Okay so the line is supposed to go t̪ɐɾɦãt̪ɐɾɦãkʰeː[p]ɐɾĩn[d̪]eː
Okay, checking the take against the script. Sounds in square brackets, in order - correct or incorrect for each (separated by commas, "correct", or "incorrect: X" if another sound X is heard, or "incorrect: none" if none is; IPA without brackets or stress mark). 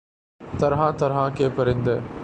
correct, correct